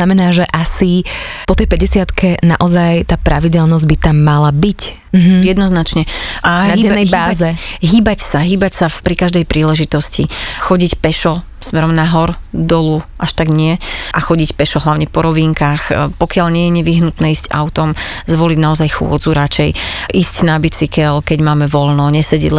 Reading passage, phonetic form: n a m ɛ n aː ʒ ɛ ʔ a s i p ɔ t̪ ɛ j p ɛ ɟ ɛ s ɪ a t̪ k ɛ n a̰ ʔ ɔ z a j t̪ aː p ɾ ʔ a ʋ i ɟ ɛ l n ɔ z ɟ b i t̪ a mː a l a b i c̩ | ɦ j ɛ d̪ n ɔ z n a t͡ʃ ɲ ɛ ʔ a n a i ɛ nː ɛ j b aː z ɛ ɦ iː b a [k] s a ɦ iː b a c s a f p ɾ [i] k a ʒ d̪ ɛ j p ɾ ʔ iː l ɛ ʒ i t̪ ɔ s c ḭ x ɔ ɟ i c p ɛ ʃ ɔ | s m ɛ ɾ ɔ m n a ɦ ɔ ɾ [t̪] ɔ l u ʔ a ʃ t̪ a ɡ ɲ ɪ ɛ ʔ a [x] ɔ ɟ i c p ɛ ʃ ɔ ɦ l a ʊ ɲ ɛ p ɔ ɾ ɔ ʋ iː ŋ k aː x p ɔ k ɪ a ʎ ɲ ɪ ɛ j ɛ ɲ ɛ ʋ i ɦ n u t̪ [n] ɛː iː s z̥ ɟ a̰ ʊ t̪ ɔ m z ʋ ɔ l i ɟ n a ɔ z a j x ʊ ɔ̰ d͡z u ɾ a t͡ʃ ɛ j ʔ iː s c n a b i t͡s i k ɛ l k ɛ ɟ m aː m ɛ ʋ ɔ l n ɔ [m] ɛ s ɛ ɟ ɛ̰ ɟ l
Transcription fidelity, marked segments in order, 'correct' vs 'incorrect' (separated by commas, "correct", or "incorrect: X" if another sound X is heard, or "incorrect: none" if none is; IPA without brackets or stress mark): incorrect: c, correct, incorrect: d̪, correct, correct, incorrect: ɲ